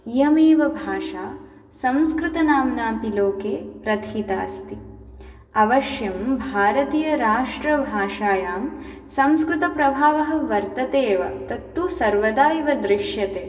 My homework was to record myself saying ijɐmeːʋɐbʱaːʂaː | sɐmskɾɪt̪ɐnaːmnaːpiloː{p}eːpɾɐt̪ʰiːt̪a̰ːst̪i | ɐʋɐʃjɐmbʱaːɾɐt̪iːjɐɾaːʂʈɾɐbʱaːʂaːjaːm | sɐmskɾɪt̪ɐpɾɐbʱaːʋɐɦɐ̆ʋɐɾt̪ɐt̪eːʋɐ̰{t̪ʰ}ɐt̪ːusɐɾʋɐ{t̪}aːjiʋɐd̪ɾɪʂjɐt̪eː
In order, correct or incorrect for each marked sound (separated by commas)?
incorrect, incorrect, incorrect